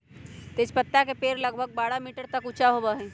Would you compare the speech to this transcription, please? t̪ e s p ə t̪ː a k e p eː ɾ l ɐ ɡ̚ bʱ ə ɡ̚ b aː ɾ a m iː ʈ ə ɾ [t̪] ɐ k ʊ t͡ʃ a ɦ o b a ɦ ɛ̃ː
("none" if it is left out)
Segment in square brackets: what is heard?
t̪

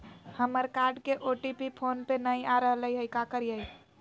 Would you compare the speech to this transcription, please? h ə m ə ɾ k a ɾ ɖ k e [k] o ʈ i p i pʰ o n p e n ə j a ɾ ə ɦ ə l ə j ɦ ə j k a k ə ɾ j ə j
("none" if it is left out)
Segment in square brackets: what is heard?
ʔ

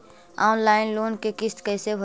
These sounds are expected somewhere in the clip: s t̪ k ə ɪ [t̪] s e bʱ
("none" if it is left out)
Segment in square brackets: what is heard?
none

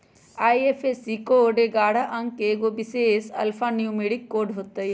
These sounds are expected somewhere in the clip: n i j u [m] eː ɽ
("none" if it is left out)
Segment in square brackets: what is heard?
m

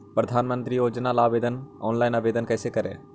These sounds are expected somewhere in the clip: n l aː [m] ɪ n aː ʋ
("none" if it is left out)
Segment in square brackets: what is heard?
none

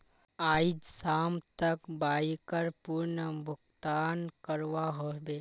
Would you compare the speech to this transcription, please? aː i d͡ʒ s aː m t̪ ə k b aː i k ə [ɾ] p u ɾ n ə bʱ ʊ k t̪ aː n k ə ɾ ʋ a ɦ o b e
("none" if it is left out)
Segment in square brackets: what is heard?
ɾ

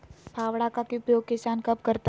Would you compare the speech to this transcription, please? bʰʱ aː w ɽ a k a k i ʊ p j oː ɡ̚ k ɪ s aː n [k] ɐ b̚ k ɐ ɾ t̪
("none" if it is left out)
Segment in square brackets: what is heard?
k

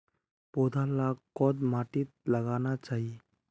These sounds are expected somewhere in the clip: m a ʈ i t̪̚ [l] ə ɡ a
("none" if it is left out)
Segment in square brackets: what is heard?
l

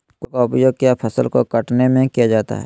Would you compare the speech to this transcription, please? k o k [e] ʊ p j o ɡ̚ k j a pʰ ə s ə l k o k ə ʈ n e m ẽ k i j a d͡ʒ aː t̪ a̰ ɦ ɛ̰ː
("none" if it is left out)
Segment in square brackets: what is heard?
a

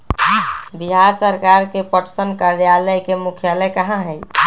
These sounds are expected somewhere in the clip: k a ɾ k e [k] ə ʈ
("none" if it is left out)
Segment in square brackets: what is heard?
p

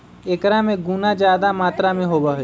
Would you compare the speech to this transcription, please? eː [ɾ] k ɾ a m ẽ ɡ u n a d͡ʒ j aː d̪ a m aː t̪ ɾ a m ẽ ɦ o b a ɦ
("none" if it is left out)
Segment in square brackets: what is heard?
none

